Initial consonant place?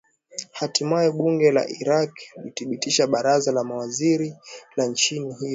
glottal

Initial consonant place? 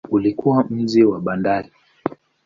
alveolar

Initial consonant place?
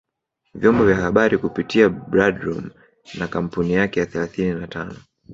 labial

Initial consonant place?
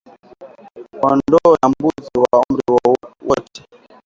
alveolar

